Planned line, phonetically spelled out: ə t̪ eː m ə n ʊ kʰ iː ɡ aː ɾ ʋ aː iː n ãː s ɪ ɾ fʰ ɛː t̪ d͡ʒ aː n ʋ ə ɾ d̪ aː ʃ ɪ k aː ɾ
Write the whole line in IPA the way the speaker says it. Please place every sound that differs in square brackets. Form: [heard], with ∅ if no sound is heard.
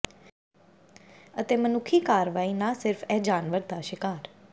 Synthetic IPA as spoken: ə t̪ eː m ə n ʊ kʰ iː [k] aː ɾ ʋ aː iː n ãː s ɪ ɾ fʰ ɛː [∅] d͡ʒ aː n ʋ ə ɾ d̪ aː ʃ ɪ k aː ɾ